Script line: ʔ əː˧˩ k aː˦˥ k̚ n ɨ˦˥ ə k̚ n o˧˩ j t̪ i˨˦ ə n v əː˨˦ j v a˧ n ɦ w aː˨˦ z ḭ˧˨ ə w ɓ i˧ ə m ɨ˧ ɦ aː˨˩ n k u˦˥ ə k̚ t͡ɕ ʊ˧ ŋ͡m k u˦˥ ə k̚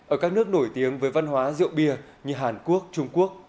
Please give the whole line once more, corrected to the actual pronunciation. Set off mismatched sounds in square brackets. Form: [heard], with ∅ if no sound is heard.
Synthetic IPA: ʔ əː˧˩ k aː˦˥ k̚ n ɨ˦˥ ə k̚ n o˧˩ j t̪ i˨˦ ə [ŋ] v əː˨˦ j v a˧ n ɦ w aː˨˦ z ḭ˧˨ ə w ɓ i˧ ə [ɲ] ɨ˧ ɦ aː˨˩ n k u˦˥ ə k̚ t͡ɕ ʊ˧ ŋ͡m k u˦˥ ə k̚